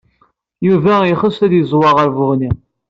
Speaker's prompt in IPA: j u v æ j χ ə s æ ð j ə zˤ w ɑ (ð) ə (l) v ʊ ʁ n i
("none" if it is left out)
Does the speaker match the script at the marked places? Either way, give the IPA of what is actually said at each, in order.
ʁ, ɾ

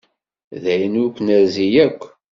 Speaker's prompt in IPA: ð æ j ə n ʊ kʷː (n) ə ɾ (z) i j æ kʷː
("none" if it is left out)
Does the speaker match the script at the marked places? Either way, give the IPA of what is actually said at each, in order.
n, z

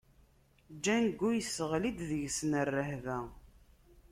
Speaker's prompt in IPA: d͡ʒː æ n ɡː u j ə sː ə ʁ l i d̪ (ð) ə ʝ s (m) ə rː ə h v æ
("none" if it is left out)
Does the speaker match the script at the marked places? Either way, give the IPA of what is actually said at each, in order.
ð, n

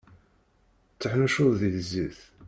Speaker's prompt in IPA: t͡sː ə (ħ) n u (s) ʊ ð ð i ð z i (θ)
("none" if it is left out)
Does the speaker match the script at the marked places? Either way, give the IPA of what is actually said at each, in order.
ħ, ʃ, θ

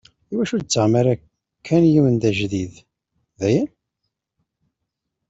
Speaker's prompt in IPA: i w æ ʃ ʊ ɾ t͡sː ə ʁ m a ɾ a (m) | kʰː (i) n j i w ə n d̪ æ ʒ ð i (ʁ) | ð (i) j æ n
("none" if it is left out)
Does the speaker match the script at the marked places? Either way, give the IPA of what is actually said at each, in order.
none, æ, ð, æ

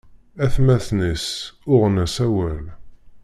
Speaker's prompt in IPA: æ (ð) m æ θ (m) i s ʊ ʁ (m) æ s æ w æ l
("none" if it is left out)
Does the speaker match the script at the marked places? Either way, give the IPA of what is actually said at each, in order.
θ, n, n

